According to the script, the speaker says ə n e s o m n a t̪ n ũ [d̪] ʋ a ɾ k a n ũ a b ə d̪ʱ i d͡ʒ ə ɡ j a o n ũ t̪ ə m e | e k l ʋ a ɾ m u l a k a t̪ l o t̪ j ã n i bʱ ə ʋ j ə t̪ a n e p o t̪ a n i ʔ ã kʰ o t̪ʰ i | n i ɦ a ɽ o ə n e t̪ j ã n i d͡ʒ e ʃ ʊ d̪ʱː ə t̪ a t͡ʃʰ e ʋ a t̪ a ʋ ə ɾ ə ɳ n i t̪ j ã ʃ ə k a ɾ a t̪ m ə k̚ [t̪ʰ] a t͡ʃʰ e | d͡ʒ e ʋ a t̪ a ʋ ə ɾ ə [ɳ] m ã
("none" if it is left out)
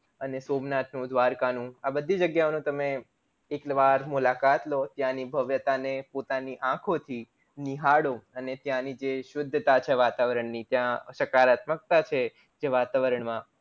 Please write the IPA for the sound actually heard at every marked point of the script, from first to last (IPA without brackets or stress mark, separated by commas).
d̪, t̪, ɳ